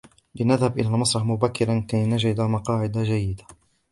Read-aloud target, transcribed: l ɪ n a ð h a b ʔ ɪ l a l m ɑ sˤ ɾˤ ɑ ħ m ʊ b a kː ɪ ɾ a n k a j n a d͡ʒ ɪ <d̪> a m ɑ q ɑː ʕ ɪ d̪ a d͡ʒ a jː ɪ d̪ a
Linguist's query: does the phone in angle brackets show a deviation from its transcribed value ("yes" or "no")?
no